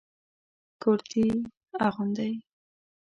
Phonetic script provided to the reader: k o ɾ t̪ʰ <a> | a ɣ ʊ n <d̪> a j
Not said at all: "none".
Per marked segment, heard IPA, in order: i, d̪

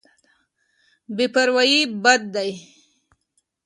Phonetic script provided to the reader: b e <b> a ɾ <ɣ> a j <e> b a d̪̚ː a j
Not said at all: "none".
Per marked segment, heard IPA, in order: p, w, i

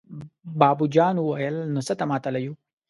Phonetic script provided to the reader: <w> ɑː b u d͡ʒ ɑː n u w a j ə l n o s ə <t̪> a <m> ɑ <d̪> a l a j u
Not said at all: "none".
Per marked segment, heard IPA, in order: b, t̪, m, t̪

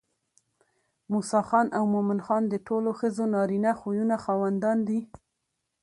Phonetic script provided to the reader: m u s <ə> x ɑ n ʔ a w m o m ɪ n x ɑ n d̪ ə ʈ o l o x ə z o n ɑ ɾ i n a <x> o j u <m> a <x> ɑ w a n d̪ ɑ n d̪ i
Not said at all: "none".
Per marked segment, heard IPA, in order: ɑ, x, n, x

